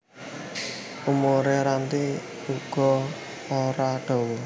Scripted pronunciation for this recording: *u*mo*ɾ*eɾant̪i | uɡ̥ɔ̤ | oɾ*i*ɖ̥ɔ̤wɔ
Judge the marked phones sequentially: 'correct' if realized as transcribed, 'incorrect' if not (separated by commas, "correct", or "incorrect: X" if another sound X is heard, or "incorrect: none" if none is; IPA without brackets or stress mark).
correct, correct, incorrect: a